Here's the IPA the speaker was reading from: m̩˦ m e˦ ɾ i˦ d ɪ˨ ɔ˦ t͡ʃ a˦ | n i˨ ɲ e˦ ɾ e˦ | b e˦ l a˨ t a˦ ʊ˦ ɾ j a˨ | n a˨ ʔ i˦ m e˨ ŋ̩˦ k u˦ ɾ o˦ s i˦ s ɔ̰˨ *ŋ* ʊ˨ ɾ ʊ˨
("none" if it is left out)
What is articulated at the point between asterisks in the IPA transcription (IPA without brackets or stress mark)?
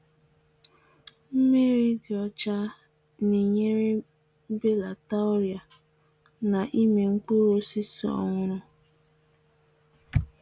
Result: ŋ